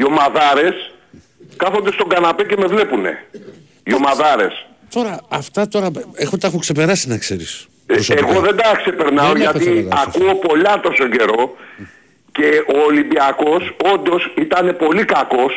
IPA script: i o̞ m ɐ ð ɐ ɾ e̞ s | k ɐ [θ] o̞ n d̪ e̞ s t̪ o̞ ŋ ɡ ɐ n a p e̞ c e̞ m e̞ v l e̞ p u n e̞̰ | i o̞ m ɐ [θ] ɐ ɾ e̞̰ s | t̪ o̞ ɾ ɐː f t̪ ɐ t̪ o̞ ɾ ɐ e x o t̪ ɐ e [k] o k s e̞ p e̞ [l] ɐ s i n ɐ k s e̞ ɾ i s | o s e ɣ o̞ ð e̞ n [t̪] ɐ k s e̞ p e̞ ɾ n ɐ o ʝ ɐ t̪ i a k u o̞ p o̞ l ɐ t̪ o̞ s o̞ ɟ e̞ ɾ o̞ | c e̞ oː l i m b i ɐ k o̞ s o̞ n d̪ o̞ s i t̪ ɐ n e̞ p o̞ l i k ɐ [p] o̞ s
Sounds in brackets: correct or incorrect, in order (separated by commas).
correct, incorrect, incorrect, incorrect, incorrect, incorrect